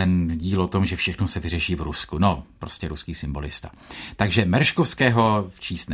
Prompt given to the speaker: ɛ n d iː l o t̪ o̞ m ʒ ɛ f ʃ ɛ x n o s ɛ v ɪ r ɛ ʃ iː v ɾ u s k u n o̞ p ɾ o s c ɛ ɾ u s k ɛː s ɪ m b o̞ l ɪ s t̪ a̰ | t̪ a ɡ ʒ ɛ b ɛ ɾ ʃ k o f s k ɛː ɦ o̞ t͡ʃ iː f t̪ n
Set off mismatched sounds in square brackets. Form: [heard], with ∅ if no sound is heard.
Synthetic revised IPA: ɛ n [ɟ] iː l o t̪ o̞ m ʒ ɛ f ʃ ɛ x n o s ɛ v ɪ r ɛ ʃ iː v ɾ u s k u n o̞ p ɾ o s c ɛ ɾ u s k [iː] s ɪ m b o̞ l ɪ s t̪ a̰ | t̪ a ɡ ʒ ɛ [m] ɛ ɾ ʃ k o f s k ɛː ɦ o̞ t͡ʃ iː [s] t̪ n